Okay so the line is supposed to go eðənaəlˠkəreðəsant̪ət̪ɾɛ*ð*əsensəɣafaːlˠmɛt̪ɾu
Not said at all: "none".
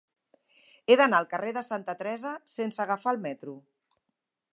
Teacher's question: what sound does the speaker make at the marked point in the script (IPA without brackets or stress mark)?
z